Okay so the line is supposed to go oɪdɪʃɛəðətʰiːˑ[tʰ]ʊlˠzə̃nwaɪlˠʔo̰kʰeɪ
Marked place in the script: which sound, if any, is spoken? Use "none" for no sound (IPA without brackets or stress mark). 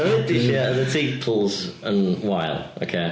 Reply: pʰ